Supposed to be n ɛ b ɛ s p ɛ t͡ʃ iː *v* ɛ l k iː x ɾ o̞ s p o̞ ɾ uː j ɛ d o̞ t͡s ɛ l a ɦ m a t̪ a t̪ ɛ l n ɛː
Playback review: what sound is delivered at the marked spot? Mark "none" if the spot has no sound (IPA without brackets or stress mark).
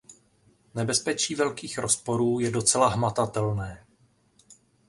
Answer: v